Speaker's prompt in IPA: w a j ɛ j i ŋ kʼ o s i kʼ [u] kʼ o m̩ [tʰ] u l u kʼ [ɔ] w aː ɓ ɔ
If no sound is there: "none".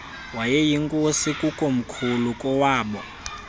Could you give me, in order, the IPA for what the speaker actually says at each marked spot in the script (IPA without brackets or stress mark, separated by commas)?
u, kʰ, ɔ